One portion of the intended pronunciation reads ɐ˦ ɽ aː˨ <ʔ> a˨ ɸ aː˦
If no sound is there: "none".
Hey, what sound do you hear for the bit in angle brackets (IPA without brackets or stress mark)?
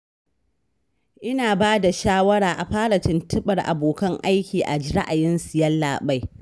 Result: ʔ